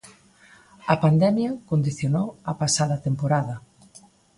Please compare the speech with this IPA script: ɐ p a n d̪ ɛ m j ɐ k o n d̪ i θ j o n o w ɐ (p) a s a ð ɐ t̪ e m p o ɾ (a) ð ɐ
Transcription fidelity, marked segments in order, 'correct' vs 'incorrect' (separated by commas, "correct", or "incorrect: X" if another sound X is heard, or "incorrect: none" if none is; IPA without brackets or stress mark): correct, correct